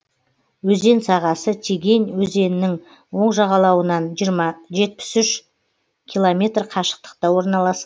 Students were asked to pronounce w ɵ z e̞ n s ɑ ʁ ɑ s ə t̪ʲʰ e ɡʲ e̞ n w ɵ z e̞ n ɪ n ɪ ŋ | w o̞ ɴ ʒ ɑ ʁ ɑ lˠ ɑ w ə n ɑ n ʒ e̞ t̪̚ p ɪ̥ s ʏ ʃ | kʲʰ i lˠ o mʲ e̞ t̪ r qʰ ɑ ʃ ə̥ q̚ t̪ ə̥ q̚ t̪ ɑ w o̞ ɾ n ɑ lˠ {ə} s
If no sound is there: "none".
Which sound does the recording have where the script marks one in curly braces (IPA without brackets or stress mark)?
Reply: ɑ